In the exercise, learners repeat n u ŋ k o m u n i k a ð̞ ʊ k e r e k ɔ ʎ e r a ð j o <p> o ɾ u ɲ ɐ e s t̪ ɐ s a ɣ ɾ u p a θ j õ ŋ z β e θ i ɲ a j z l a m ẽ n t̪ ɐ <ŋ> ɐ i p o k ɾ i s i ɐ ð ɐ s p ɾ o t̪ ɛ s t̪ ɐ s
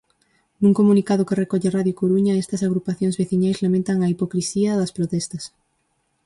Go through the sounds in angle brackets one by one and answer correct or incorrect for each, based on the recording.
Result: incorrect, correct

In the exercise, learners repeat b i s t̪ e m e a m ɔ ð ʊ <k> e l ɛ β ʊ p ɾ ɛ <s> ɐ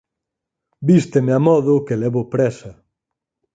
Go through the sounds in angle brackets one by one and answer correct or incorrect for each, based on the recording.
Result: correct, correct

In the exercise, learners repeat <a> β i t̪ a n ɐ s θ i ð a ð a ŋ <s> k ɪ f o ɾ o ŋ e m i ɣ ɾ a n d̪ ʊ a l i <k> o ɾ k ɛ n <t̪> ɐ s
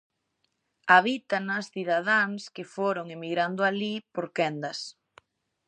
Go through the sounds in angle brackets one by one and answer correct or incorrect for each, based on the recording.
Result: correct, correct, incorrect, incorrect

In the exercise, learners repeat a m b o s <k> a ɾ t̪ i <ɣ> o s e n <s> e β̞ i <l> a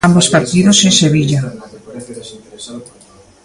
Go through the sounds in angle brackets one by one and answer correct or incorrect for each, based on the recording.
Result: incorrect, incorrect, correct, incorrect

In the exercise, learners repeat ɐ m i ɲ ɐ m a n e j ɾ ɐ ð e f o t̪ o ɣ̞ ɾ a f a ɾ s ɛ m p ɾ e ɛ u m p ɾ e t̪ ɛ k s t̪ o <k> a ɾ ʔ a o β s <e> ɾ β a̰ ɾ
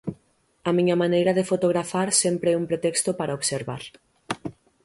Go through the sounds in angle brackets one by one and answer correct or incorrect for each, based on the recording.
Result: incorrect, correct

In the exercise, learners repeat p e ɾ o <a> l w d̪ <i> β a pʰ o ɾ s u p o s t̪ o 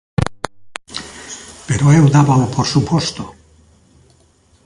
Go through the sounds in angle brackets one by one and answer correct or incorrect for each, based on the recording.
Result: incorrect, incorrect

